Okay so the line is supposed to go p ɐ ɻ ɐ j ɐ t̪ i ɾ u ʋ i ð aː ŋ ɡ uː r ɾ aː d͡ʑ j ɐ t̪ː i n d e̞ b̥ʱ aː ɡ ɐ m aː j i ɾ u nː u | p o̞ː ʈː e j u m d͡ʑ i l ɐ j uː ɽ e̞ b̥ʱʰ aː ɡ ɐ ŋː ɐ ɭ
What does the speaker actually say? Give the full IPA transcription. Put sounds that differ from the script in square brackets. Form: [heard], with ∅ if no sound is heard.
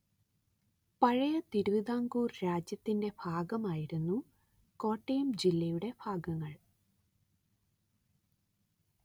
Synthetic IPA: p ɐ ɻ ɐ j ɐ t̪ i ɾ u ʋ i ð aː ŋ ɡ uː r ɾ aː d͡ʑ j ɐ t̪ː i n d e̞ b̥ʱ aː ɡ ɐ m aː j i ɾ u nː u | [k] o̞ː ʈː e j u m d͡ʑ i [lː] ɐ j [u] ɽ e̞ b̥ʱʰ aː ɡ ɐ ŋː ɐ ɭ